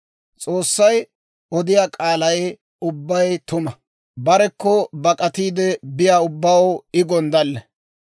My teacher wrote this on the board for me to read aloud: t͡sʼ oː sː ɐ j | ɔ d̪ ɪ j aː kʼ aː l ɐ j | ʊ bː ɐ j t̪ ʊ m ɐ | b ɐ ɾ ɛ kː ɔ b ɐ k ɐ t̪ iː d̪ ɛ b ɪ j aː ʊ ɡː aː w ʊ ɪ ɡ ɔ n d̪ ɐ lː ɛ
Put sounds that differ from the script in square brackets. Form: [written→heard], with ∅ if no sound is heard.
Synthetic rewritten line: t͡sʼ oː sː ɐ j | ɔ d̪ ɪ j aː kʼ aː l ɐ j | ʊ bː ɐ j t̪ ʊ m ɐ | b ɐ ɾ ɛ kː ɔ b ɐ [k→kʼ] ɐ t̪ iː d̪ ɛ b ɪ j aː ʊ [ɡː→bː] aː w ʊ ɪ ɡ ɔ n d̪ ɐ lː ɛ

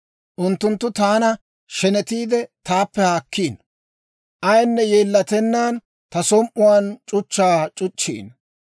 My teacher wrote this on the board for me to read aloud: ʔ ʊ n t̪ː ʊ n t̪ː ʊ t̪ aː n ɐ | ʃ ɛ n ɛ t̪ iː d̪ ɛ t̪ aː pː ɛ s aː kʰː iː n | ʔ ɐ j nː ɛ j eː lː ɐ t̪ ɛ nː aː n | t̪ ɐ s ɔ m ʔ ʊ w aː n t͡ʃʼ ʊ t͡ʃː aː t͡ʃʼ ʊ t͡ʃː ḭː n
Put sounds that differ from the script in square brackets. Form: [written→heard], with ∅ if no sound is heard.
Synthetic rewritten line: ʔ ʊ n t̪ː ʊ n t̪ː ʊ t̪ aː n ɐ | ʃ ɛ n ɛ t̪ iː d̪ ɛ t̪ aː pː ɛ [s→h] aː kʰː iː n | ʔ ɐ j nː ɛ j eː lː ɐ t̪ ɛ nː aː n | t̪ ɐ s ɔ m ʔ ʊ w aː n t͡ʃʼ ʊ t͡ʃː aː t͡ʃʼ ʊ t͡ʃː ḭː n

